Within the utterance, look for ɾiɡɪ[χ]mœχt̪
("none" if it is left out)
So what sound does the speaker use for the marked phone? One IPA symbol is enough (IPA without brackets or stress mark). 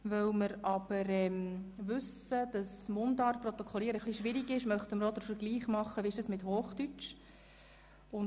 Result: ʃ